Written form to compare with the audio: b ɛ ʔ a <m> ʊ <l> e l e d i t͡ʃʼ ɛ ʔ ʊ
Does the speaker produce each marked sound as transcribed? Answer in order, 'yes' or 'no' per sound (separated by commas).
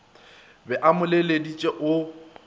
yes, yes